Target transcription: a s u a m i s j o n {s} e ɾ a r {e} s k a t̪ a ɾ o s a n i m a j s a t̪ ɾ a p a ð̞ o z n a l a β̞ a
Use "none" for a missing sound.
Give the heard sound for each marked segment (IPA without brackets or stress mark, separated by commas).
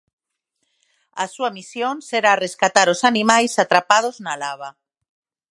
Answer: s, e